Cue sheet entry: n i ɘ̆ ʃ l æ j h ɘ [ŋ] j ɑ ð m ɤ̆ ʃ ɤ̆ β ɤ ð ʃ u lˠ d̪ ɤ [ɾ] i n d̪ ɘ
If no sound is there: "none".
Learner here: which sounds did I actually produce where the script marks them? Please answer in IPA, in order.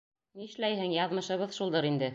ŋ, ɾ

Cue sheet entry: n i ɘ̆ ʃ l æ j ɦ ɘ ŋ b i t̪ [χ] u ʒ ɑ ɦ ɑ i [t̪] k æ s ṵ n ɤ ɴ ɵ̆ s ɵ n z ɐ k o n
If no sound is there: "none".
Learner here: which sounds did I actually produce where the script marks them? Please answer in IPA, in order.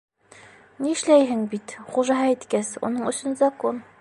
χ, t̪

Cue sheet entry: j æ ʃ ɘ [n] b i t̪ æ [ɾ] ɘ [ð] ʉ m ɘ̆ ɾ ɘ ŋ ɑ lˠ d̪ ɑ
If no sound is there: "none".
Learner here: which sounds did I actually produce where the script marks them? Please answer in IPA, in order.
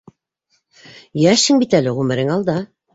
ŋ, l, ʁ

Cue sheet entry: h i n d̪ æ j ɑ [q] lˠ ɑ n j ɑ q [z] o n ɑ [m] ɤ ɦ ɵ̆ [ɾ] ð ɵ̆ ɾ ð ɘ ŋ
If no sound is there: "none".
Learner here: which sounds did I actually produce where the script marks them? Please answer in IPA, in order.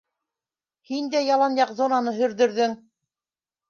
none, z, n, ɾ

